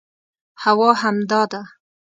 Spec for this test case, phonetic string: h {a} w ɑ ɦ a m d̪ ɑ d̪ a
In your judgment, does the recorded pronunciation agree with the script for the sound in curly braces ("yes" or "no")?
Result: yes